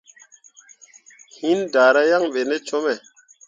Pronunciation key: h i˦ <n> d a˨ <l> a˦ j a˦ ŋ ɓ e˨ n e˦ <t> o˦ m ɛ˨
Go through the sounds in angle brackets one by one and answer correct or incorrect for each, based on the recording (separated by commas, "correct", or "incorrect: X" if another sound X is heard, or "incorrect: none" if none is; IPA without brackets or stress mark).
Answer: correct, incorrect: ɾ, incorrect: t͡ʃ